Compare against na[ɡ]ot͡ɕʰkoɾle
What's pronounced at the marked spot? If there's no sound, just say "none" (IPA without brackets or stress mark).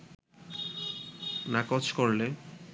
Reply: k